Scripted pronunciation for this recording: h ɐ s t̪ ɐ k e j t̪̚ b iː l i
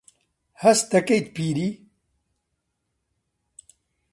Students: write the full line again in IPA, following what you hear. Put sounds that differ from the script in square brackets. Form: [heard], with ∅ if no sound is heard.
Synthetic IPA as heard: h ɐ s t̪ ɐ k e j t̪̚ [p] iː [ɾ] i